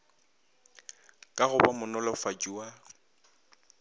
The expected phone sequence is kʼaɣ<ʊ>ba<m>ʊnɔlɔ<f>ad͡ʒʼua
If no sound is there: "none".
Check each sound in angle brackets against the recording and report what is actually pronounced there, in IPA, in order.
ʊ, m, f

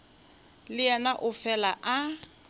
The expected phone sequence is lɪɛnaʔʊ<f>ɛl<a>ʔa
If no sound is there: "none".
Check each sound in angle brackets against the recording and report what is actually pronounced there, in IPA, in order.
f, a

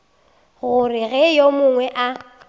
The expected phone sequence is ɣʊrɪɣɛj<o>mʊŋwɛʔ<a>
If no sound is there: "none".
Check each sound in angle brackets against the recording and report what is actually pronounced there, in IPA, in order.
o, a

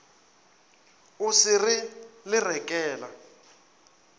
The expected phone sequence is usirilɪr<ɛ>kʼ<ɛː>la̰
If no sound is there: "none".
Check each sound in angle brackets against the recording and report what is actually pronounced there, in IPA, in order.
ɛ, ɛː

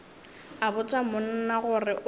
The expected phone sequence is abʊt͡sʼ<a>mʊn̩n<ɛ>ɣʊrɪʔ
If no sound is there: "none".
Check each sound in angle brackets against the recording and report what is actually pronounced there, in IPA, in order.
a, a

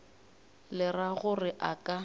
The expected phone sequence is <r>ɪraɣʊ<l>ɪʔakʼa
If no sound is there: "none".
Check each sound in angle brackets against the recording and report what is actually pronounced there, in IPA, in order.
l, r

